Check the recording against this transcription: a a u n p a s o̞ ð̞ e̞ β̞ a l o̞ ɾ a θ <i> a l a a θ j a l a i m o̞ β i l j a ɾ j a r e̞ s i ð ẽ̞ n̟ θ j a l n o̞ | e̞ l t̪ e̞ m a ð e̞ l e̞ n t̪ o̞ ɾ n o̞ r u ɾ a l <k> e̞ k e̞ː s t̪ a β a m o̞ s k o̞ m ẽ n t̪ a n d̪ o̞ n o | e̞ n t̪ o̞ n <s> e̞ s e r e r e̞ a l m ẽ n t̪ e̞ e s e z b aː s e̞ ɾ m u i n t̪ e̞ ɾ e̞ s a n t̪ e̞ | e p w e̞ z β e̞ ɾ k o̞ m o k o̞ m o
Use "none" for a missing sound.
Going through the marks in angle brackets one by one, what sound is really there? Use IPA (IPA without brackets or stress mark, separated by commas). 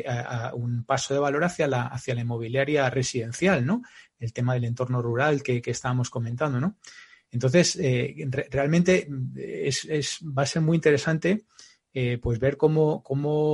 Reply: j, k, θ